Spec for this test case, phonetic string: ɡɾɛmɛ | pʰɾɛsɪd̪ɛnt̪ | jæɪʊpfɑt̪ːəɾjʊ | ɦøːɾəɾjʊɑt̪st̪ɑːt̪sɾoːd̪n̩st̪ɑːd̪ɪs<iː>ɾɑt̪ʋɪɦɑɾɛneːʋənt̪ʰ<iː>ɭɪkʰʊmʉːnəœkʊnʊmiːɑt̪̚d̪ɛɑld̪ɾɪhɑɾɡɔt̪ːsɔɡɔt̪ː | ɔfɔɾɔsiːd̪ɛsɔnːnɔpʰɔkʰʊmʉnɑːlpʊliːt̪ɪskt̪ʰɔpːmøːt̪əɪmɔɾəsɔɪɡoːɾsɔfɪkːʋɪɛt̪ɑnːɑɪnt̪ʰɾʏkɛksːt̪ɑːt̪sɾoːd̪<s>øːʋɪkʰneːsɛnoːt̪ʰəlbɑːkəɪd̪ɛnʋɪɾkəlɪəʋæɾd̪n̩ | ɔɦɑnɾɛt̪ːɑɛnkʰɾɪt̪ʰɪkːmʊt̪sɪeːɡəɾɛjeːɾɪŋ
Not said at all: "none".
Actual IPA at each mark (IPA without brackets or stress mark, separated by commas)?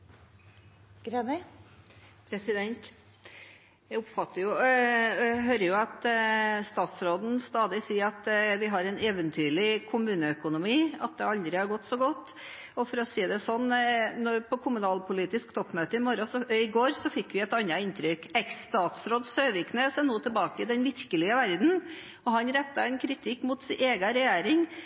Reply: iː, yː, s